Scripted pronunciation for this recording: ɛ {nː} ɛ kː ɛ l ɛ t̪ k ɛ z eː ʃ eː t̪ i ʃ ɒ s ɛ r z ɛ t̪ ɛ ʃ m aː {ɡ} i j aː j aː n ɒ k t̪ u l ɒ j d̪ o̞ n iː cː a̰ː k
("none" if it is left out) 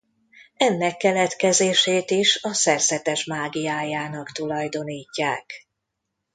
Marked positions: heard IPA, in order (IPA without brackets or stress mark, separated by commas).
nː, ɡ